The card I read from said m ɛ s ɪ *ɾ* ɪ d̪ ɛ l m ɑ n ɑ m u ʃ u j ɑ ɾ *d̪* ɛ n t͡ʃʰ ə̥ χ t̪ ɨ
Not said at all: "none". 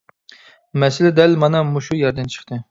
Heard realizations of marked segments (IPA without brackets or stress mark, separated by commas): l, d̪